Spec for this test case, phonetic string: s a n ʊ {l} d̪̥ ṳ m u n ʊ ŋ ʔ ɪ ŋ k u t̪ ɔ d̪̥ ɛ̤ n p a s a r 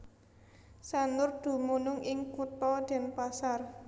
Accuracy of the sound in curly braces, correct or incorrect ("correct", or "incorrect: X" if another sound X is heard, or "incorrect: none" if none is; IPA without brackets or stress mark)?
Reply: incorrect: r